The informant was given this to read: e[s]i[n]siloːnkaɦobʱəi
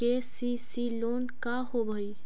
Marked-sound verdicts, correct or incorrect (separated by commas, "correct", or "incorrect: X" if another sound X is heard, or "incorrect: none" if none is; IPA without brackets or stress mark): correct, incorrect: none